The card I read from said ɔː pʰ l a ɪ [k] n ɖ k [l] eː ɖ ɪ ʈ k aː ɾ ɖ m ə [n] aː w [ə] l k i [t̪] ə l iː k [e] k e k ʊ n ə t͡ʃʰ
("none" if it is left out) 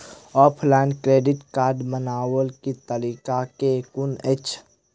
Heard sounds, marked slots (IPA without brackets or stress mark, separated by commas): none, ɾ, n, ə, t̪, a